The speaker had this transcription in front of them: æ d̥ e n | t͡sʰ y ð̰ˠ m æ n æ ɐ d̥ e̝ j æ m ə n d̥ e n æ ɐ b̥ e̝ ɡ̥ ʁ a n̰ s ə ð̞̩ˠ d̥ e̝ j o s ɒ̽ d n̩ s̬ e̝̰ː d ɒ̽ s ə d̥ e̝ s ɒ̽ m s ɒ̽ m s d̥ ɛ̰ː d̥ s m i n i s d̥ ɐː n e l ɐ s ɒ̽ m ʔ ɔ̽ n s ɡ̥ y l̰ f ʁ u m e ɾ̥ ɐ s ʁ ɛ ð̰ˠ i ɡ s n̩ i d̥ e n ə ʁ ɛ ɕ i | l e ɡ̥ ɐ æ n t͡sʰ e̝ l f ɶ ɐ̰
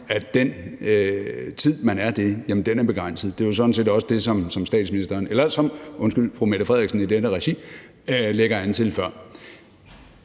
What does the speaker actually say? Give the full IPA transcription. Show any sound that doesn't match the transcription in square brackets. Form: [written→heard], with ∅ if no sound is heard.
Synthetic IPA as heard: æ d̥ e n | t͡sʰ [y→i] ð̰ˠ m æ n æ ɐ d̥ e̝ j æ m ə n d̥ e n æ ɐ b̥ e̝ ɡ̥ ʁ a n̰ s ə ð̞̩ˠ d̥ e̝ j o s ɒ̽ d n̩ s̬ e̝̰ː d ɒ̽ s ə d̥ e̝ s ɒ̽ m s ɒ̽ m s d̥ ɛ̰ː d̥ s m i n i s d̥ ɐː n e l ɐ s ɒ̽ m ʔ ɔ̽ n s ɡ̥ y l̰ f ʁ u m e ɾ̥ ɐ [s→f] ʁ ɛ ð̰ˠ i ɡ s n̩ i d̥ e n ə ʁ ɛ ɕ i | l e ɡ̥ ɐ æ n t͡sʰ e̝ l f ɶ ɐ̰

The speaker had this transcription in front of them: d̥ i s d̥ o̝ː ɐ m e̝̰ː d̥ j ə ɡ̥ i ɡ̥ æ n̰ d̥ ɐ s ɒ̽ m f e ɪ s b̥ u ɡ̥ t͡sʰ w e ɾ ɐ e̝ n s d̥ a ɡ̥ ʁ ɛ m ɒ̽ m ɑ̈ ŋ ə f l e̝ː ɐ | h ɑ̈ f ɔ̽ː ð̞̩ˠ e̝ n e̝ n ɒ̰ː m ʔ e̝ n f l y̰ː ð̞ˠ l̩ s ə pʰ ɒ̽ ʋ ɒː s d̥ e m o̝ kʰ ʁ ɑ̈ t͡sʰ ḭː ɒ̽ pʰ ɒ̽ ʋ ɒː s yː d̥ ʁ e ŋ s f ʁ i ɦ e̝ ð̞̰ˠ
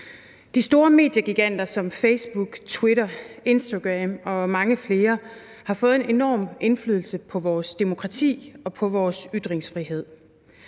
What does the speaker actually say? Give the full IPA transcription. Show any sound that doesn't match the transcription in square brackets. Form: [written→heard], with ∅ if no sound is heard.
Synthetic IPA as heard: d̥ i s d̥ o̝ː ɐ m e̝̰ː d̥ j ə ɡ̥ i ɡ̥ æ n̰ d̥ ɐ s ɒ̽ m f e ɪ s b̥ u ɡ̥ t͡sʰ w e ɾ ɐ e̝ n s d̥ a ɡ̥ ʁ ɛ m ɒ̽ m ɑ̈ ŋ ə f l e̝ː ɐ | h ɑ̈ f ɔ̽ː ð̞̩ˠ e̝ n e̝ n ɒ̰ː m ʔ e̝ n f l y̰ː ð̞ˠ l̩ s ə pʰ ɒ̽ ʋ ɒː s d̥ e m o̝ kʰ ʁ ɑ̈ t͡sʰ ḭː ɒ̽ pʰ ɒ̽ ʋ ɒː s [yː→y] d̥ ʁ e ŋ s f ʁ i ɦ e̝ ð̞̰ˠ

